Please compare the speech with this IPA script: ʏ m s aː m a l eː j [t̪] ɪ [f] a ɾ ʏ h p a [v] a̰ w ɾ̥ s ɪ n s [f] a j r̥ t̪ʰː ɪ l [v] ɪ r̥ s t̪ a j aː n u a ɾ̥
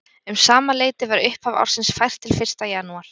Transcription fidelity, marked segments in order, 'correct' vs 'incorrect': correct, incorrect: v, correct, correct, incorrect: f

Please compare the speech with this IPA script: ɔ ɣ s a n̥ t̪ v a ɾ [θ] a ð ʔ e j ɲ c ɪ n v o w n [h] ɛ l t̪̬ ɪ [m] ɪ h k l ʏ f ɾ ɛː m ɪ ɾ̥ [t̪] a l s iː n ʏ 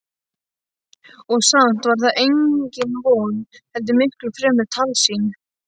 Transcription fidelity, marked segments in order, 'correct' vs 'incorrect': correct, correct, correct, incorrect: t̪ʰ

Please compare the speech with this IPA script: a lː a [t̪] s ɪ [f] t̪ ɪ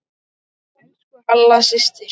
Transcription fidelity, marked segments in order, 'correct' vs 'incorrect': incorrect: none, incorrect: s

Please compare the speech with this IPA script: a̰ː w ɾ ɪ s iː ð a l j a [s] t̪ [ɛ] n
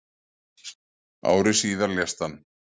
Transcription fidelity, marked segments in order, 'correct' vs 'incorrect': correct, incorrect: a

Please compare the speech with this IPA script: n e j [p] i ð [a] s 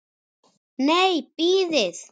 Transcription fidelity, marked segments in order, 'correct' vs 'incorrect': correct, incorrect: e

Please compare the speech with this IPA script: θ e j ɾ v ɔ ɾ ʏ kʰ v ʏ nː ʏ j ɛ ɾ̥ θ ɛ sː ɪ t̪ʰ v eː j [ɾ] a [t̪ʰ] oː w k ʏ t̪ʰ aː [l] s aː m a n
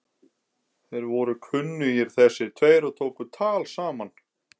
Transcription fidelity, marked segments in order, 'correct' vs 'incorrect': correct, correct, correct

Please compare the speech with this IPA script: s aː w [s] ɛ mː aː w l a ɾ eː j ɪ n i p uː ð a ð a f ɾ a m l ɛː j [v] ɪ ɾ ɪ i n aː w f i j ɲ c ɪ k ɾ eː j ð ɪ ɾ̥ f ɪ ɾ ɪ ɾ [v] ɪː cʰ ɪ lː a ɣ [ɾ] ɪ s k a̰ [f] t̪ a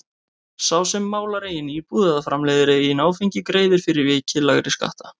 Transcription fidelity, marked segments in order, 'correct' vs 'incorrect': correct, incorrect: ð, correct, correct, incorrect: h

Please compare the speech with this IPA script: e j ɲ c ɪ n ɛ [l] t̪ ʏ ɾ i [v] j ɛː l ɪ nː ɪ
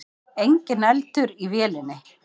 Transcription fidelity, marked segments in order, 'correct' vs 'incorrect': correct, correct

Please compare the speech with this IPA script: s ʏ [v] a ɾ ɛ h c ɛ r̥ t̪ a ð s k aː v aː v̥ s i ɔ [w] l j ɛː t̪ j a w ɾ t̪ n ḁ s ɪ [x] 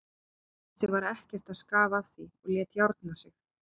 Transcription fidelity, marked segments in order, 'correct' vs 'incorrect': correct, incorrect: ɣ, correct

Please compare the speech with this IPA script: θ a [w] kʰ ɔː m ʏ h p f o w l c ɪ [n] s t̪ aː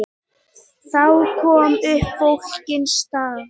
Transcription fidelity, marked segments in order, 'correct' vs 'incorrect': correct, correct

